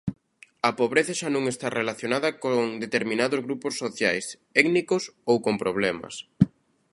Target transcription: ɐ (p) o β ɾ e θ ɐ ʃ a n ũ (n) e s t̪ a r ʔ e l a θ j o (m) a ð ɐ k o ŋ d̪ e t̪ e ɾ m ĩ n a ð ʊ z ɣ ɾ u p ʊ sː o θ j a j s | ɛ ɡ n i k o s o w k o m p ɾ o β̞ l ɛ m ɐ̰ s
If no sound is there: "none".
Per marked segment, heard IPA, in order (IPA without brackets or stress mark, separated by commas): p, ŋ, n